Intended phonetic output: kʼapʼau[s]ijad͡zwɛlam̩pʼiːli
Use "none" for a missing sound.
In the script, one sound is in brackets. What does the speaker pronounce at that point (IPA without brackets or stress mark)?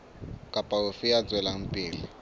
f